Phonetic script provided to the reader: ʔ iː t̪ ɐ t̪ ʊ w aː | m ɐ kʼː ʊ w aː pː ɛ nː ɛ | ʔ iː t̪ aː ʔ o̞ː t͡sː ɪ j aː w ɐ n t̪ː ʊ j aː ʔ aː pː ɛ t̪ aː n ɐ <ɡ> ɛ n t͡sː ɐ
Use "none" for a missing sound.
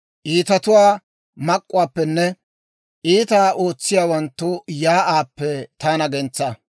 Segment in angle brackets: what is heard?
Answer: ɡ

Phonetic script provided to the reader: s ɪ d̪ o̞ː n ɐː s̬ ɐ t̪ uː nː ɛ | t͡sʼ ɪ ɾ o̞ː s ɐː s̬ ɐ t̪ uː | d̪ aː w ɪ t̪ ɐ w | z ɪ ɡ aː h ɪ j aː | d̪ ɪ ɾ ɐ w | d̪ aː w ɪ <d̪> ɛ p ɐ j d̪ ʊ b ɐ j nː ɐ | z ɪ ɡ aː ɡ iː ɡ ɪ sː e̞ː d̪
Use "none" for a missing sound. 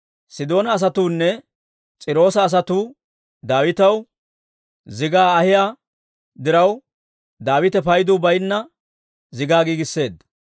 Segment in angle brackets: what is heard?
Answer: t̪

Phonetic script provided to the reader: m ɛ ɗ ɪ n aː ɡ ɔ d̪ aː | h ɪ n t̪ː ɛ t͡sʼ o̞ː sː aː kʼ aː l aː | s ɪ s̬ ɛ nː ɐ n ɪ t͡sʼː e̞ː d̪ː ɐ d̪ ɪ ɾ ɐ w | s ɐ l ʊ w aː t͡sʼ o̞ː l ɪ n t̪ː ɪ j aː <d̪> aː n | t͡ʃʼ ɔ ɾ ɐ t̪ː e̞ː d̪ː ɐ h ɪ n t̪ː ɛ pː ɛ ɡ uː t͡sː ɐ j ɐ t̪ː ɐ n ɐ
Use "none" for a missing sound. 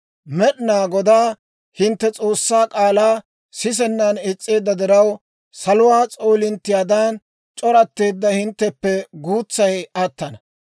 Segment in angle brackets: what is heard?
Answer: d̪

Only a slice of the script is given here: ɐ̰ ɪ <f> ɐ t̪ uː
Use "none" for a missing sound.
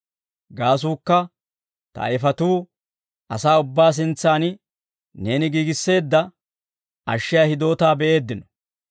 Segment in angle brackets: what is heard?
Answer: f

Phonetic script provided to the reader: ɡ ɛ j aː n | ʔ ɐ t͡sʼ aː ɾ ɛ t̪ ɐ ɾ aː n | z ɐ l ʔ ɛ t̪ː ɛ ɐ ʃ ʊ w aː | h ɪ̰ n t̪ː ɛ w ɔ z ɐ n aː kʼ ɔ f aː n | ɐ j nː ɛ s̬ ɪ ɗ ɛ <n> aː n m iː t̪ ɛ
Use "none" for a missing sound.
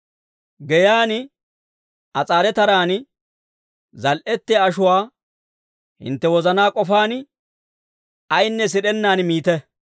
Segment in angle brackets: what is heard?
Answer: nː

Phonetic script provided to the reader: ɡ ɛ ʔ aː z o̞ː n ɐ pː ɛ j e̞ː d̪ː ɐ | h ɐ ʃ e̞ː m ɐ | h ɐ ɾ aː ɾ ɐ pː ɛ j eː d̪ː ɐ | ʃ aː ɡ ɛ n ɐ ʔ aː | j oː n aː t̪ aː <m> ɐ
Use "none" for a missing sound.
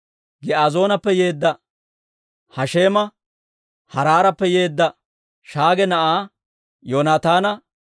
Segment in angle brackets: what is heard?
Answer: n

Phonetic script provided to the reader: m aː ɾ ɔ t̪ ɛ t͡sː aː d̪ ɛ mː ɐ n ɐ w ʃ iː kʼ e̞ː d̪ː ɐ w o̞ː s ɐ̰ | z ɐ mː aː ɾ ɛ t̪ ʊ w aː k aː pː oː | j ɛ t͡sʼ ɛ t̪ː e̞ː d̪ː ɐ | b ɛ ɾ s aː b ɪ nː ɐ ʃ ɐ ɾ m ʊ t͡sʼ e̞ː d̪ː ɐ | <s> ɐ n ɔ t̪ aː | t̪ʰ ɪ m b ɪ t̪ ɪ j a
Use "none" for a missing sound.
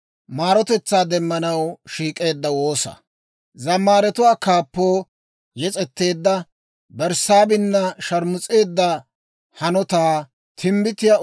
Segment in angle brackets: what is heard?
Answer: h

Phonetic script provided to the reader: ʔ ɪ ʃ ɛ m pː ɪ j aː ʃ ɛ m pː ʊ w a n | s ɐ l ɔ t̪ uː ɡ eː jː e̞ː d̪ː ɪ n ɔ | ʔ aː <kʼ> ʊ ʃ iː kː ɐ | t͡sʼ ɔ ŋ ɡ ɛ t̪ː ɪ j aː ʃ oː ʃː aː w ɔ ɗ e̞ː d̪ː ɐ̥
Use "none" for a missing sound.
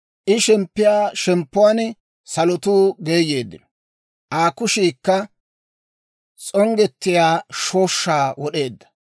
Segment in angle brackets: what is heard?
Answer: k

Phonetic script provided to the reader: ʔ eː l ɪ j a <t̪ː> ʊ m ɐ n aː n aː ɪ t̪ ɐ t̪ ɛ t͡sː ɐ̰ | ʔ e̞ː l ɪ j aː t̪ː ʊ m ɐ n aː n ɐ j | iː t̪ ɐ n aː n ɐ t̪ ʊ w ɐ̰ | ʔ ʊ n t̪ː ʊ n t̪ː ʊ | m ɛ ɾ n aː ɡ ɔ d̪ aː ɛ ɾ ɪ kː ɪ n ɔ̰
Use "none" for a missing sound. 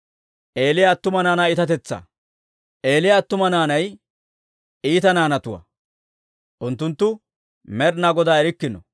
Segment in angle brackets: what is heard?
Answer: t̪ː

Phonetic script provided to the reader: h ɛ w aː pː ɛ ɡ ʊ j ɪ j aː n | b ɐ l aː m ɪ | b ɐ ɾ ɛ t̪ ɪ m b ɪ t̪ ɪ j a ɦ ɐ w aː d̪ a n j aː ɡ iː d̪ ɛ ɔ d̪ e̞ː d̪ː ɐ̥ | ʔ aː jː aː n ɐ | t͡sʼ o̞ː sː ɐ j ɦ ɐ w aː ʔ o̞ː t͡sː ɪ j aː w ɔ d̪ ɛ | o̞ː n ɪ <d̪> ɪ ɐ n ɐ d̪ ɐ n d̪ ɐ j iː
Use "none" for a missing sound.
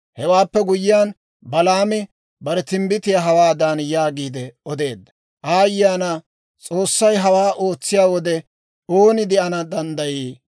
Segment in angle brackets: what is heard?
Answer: d̪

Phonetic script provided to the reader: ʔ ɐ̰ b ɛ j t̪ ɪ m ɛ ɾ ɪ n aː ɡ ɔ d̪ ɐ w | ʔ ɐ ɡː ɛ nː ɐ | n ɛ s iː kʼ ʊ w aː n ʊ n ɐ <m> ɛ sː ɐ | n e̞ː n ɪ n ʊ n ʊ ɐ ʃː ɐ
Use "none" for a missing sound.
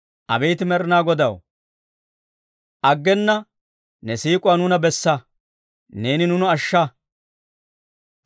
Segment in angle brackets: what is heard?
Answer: b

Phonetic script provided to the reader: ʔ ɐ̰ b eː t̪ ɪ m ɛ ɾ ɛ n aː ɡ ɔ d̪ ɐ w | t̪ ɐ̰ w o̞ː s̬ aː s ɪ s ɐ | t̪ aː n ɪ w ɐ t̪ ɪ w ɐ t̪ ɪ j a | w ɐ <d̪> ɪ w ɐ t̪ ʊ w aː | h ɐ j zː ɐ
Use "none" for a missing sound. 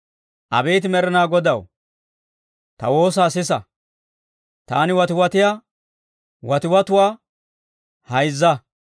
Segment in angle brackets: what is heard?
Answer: t̪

